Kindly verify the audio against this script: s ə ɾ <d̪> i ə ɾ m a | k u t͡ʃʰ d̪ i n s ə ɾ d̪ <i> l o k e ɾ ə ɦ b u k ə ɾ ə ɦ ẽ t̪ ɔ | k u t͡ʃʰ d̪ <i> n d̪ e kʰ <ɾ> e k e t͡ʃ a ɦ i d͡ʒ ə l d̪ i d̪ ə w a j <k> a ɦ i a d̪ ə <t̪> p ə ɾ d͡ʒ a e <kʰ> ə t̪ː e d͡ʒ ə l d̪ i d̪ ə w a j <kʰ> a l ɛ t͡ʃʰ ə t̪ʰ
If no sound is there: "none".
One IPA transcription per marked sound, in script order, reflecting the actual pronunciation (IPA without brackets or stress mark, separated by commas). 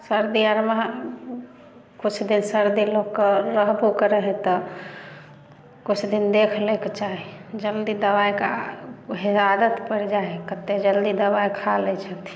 d̪, i, i, l, k, t̪, k, kʰ